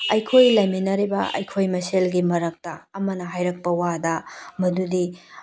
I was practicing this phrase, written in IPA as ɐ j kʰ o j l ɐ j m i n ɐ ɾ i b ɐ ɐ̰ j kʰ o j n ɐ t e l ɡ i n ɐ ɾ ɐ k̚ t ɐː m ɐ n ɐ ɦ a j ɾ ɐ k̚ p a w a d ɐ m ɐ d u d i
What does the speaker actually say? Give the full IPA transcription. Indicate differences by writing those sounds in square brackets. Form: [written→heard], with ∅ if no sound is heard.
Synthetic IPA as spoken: ɐ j kʰ o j l ɐ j m i n ɐ ɾ i b ɐ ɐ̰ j kʰ o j [n→m] ɐ [t→s] e l ɡ i [n→m] ɐ ɾ ɐ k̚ t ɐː m ɐ n ɐ ɦ a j ɾ ɐ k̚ p [a→ɐ] w a d ɐ m ɐ d u d i